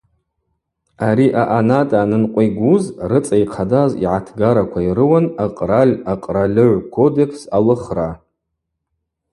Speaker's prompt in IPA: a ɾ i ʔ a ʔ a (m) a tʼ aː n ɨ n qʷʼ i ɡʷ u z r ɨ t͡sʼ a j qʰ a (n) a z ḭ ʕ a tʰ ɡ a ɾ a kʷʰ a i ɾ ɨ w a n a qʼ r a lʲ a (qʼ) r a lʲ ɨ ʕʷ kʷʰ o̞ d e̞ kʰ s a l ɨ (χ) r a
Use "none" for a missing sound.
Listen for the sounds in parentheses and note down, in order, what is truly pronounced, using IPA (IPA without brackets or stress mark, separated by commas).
n, d, qʼ, χ